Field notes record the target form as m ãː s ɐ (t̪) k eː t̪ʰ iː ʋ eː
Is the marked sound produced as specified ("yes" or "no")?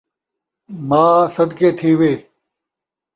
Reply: no